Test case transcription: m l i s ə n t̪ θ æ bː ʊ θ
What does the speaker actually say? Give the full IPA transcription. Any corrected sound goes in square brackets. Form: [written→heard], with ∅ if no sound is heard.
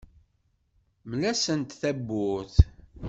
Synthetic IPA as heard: m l [i→æ] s ə n t̪ θ æ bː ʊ θ